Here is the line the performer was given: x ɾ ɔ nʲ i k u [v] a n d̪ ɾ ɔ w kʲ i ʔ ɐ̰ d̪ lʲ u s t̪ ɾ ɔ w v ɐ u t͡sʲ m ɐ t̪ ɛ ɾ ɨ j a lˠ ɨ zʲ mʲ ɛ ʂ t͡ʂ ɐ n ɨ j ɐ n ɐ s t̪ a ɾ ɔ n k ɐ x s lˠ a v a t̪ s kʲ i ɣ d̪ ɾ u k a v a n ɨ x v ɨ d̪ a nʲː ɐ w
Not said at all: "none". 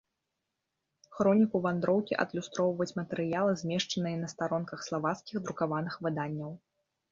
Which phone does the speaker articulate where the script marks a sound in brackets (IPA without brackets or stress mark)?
v